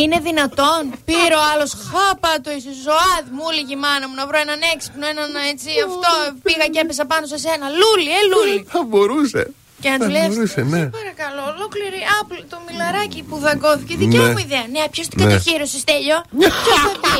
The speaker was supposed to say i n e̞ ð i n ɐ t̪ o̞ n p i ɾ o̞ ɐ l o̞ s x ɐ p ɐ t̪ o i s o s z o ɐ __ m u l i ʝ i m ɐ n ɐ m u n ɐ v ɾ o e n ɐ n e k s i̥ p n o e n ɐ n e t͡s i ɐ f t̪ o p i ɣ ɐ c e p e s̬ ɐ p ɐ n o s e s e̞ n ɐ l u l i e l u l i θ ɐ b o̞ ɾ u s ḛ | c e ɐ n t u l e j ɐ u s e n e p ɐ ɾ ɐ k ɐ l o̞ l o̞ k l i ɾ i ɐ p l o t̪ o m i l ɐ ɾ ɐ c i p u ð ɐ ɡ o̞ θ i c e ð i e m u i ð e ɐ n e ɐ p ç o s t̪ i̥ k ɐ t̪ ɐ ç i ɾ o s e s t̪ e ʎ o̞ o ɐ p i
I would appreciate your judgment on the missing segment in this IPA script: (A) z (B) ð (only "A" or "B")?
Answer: B